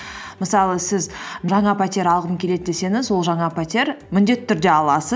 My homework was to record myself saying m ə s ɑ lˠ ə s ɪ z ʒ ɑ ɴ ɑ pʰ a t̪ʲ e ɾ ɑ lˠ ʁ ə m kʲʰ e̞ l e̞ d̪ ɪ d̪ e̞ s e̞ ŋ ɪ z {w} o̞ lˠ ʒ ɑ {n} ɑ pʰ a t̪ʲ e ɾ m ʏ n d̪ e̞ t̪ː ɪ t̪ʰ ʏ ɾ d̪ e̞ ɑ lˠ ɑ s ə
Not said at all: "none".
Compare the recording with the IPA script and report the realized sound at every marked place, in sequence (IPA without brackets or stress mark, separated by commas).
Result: w, ɴ